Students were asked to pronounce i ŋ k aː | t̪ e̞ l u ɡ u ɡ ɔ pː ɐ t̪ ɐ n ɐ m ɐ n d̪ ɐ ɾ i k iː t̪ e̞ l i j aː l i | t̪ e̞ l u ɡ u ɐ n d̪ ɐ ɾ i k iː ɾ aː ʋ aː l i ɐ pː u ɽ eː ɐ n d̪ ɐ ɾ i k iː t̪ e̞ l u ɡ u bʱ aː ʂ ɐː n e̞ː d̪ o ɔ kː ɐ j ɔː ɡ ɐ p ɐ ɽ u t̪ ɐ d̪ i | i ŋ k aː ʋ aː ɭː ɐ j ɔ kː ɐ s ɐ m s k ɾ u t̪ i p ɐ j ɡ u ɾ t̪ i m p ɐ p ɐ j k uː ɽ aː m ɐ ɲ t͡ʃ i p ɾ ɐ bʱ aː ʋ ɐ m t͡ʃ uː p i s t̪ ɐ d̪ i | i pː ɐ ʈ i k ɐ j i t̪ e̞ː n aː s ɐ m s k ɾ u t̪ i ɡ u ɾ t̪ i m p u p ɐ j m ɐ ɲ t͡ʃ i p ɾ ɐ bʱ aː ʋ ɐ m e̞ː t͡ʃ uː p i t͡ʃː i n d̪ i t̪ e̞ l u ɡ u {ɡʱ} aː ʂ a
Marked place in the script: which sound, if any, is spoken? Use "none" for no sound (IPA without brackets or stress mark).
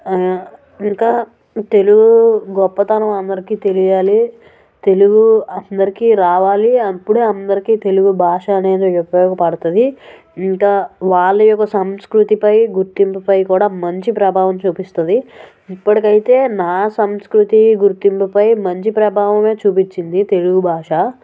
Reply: bʱ